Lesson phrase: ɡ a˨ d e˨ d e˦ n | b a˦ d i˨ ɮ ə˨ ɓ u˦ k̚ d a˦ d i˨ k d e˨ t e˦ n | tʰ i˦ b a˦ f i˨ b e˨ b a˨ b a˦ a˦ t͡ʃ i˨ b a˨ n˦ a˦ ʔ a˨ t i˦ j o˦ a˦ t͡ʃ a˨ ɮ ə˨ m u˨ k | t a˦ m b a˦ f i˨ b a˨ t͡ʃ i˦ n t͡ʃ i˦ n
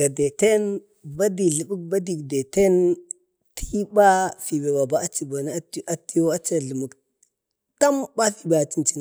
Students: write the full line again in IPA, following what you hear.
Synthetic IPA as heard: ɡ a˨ d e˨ t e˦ n | b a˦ d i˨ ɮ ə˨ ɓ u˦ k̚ b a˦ d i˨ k d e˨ t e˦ n | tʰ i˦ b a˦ f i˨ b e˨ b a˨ b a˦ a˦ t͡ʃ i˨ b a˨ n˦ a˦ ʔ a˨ t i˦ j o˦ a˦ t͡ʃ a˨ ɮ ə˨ m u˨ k | t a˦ m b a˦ f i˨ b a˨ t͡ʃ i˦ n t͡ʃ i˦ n